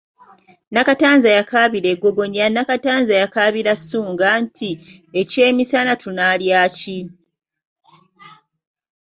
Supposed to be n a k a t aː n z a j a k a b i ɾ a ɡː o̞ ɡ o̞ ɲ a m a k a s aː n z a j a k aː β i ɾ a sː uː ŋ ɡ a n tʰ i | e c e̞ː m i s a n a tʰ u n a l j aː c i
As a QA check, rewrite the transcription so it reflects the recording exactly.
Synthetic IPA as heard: n a k a t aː n z a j a k a β i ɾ e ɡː o̞ ɡ o̞ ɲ a n a k a t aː n z a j a k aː β i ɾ a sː uː ŋ ɡ a n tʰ i | e c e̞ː m i s a n a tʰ u n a l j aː c i